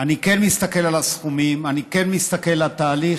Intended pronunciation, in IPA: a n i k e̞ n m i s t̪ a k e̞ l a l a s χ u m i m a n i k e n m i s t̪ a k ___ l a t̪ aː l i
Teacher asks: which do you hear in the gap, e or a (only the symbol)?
e